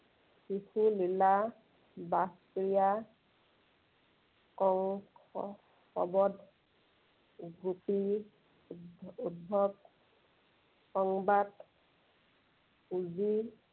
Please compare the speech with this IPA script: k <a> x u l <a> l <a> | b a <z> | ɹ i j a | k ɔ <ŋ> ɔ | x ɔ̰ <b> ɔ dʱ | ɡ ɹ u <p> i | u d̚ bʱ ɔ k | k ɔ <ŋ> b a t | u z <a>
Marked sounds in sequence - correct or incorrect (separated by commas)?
incorrect, incorrect, correct, incorrect, correct, correct, correct, correct, incorrect